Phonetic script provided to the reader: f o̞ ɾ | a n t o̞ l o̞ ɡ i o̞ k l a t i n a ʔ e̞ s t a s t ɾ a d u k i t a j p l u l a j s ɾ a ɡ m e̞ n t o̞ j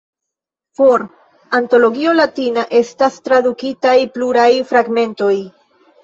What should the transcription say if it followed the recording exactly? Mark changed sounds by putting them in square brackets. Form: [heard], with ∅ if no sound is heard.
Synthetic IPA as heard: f o̞ ɾ | a n t o̞ l o̞ ɡ i o̞ [∅] l a t i n a ʔ e̞ s t a s t ɾ a d u k i t a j p l u [ɾ] a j [f] ɾ a ɡ m e̞ n t o̞ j